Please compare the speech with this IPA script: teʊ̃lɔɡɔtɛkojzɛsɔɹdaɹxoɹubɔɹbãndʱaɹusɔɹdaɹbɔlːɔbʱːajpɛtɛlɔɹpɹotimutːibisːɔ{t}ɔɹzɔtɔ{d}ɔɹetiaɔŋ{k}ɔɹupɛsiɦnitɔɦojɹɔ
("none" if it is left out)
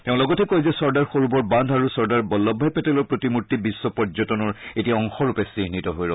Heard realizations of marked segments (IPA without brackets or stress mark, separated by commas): p, n, x